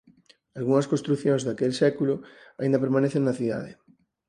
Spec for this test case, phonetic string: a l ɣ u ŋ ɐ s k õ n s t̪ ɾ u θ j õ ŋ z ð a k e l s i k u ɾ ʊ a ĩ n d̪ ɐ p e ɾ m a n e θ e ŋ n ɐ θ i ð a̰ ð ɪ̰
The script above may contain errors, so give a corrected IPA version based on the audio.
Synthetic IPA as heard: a l ɣ u ŋ ɐ s k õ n s t̪ ɾ u θ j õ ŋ z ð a k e l s ɛ k u l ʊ a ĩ n d̪ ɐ p e ɾ m a n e θ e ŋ n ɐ θ i ð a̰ ð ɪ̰